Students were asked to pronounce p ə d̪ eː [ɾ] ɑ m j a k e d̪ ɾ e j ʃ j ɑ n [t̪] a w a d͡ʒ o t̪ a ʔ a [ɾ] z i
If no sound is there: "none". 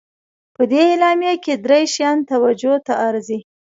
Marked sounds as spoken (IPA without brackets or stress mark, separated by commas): l, t̪, ɾ